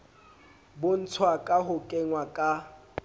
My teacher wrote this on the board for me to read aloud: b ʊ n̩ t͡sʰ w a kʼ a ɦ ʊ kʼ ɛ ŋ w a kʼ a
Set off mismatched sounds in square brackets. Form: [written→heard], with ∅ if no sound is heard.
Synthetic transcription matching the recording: b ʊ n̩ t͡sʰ w a kʼ a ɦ ʊ kʼ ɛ ŋ w a kʼ a